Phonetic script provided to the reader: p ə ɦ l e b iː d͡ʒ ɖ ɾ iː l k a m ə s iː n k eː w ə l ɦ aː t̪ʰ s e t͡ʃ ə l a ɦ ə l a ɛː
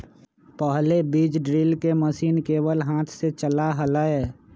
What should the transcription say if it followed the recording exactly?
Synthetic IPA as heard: p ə ɦ l e b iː d͡ʒ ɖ ɾ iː l k e m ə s iː n k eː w ə l ɦ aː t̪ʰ s e t͡ʃ ə l a ɦ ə l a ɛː